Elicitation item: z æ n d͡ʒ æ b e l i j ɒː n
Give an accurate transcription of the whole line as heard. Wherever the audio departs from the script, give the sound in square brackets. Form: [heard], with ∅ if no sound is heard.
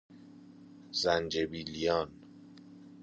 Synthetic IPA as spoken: z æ n d͡ʒ [e] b [i] l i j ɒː n

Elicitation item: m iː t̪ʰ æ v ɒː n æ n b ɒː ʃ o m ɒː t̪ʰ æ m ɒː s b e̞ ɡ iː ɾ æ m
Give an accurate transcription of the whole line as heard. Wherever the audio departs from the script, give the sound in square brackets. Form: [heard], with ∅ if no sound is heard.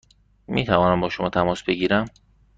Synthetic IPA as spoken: m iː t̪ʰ æ v ɒː n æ [m] b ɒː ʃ o m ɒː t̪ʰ æ m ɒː s b e̞ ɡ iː ɾ æ m

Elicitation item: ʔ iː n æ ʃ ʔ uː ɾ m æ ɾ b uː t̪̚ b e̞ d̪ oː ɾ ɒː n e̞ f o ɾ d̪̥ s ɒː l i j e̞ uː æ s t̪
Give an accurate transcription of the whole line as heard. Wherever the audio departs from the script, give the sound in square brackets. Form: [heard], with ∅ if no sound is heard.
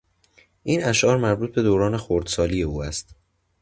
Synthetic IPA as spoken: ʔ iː n æ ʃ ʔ [ɒː] ɾ m æ ɾ b uː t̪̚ b e̞ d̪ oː ɾ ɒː n e̞ [x] o ɾ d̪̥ s ɒː l i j e̞ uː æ s t̪

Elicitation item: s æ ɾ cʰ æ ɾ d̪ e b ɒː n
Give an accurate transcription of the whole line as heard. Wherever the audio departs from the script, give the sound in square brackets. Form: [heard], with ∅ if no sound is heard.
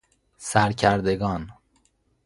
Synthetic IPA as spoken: s æ ɾ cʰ æ ɾ d̪ e [ɡ] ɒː n

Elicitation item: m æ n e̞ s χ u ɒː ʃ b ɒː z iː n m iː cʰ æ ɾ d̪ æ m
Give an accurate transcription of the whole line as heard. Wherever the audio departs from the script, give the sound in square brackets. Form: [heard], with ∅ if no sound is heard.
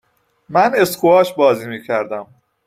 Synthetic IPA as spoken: m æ n e̞ s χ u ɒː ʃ b ɒː z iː [∅] m iː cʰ æ ɾ d̪ æ m

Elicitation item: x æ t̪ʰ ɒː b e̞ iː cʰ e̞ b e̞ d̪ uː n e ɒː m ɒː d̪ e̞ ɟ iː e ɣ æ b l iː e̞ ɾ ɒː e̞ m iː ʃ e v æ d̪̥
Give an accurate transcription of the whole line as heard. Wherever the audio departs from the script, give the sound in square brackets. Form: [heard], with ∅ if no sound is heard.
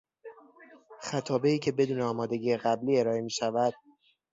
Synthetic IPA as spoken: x æ t̪ʰ ɒː b e̞ iː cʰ e̞ b e̞ d̪ uː n e ɒː m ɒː d̪ e̞ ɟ iː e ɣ æ b l iː e̞ ɾ ɒː e̞ m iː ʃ [æ] v æ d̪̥

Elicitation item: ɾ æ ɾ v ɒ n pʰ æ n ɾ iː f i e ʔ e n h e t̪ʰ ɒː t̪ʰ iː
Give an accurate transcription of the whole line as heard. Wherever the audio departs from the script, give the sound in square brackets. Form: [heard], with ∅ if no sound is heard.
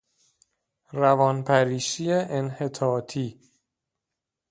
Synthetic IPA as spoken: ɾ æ [∅] v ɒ n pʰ æ [∅] ɾ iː [ʃ] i e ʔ e n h e t̪ʰ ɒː t̪ʰ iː

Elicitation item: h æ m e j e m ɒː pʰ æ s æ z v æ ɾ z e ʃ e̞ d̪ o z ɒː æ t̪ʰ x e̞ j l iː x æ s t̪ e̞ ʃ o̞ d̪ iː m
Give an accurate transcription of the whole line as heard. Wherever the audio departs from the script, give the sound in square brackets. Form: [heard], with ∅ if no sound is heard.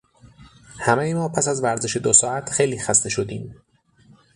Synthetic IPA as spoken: h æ m e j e m ɒː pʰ æ s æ z v æ ɾ z e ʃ e̞ d̪ o [s] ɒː æ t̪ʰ x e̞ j l iː x æ s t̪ e̞ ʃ o̞ d̪ iː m

